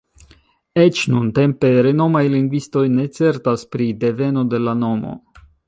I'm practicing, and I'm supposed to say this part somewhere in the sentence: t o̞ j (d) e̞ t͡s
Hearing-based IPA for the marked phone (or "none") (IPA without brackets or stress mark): n